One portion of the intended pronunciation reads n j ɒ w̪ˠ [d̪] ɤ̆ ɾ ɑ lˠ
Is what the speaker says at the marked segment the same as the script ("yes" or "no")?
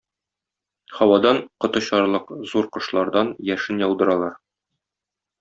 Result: yes